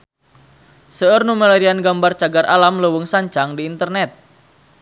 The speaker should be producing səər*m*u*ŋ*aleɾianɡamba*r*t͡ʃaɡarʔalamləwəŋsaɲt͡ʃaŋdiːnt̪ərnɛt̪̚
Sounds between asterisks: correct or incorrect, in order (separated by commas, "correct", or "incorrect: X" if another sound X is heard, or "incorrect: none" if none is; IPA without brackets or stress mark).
incorrect: n, incorrect: m, correct